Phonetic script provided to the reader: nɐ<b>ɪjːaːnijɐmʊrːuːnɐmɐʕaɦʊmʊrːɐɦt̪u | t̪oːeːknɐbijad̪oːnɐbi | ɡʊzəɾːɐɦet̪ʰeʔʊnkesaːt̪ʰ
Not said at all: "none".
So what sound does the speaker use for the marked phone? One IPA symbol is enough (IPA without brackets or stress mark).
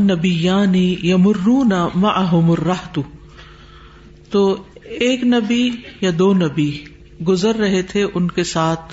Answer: b